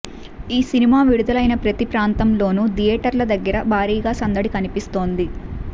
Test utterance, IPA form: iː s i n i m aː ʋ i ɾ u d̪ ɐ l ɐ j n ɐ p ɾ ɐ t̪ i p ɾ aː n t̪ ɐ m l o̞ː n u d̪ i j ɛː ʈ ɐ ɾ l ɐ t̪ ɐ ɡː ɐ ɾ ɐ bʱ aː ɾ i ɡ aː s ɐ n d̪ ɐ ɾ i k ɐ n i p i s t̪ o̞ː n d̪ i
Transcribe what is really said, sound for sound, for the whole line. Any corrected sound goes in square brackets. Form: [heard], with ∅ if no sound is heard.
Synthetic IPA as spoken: iː s i n i m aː ʋ i [ɽ] u d̪ ɐ l ɐ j n ɐ p ɾ ɐ t̪ i p ɾ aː n t̪ ɐ m l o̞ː n u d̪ i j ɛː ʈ ɐ ɾ l ɐ [d̪] ɐ ɡː ɐ ɾ ɐ bʱ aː ɾ [iː] ɡ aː s ɐ n d̪ ɐ [ɽ] i k ɐ n i p i s t̪ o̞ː n d̪ i